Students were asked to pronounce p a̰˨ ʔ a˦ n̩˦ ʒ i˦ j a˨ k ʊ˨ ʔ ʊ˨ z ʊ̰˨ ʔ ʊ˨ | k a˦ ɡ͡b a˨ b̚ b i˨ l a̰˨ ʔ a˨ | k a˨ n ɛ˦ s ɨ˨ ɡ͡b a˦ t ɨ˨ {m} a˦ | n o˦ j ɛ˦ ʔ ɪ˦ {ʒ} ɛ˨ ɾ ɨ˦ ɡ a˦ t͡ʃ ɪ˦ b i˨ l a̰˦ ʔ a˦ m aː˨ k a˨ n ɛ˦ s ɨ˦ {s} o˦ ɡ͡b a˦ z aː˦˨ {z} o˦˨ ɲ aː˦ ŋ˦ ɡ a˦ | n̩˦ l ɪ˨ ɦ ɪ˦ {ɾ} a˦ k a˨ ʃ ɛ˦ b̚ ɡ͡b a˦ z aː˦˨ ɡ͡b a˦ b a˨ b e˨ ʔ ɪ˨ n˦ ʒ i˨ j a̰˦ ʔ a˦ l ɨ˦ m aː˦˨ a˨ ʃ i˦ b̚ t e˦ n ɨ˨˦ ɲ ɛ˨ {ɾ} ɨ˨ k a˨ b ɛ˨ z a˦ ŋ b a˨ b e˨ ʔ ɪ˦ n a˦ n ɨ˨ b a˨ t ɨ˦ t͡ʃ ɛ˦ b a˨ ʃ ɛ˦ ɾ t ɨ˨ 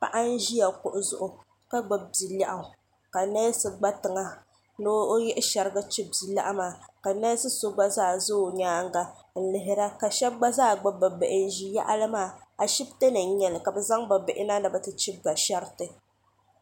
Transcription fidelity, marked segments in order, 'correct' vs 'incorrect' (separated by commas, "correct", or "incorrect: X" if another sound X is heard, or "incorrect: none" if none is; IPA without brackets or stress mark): incorrect: ŋ, incorrect: ʃ, correct, correct, correct, incorrect: l